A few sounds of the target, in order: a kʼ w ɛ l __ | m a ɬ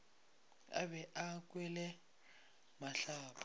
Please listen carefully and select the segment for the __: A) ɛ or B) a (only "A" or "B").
A